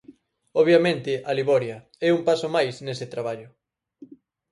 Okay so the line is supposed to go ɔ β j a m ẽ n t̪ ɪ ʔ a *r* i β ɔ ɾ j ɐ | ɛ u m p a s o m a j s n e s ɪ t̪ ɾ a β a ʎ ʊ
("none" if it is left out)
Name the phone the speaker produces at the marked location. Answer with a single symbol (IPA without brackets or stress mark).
l